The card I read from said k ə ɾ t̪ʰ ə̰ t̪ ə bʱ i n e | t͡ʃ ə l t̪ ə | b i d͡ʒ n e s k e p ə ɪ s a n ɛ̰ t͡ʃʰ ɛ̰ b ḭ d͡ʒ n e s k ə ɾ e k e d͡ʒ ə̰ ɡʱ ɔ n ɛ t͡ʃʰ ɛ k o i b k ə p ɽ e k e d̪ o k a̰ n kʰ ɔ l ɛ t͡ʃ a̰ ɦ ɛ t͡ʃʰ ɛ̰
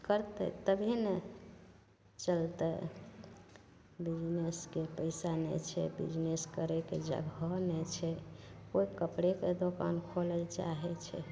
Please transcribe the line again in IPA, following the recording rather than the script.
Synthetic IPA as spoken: k ə ɾ t̪ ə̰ t̪ ə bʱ i n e | t͡ʃ ə l t̪ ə | b i d͡ʒ n e s k e p ə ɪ s a n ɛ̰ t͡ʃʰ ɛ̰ b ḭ d͡ʒ n e s k ə ɾ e k e d͡ʒ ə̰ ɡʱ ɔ n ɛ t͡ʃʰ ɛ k o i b k ə p ɽ e k e d̪ o k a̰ n kʰ o l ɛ t͡ʃ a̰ ɦ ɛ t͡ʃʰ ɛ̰